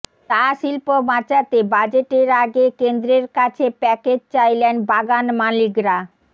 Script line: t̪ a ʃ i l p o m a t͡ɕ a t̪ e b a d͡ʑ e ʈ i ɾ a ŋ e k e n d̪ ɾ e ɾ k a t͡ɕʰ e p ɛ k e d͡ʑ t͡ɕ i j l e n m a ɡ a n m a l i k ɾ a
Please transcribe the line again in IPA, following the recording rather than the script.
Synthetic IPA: t̪ a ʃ i l p o m a t͡ɕ a t̪ e b a d͡ʑ e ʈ e ɾ a ɡ e k e n d̪ ɾ e ɾ k a t͡ɕʰ e p ɛ k e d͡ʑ t͡ɕ a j l e n b a ɡ a n m a l i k ɾ a